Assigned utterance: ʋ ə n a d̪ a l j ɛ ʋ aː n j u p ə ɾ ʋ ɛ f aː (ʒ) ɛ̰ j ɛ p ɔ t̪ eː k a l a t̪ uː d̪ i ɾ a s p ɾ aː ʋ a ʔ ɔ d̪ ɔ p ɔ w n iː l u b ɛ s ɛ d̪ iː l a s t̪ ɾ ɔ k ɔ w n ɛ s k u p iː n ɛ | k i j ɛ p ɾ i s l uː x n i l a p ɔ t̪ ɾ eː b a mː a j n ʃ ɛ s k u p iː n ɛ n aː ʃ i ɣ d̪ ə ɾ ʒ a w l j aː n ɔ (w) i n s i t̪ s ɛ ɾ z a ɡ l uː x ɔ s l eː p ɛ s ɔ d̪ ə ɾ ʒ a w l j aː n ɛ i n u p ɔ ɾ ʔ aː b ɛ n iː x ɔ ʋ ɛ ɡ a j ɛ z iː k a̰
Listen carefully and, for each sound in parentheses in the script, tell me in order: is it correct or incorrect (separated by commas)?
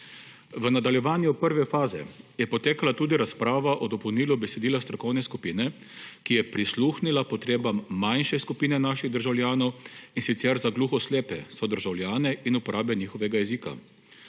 incorrect, correct